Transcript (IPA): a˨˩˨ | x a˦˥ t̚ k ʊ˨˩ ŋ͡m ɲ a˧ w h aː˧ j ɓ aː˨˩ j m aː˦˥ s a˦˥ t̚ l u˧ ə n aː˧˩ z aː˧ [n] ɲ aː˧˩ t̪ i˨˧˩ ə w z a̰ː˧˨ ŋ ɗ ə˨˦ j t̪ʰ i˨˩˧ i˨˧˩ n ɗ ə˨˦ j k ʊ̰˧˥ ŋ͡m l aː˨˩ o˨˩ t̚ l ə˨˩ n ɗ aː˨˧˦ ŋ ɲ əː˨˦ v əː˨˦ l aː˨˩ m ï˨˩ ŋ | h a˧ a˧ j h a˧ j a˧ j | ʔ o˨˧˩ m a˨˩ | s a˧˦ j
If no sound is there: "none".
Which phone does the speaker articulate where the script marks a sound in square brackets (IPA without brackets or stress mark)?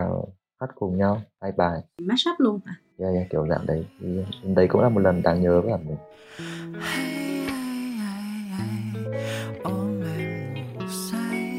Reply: none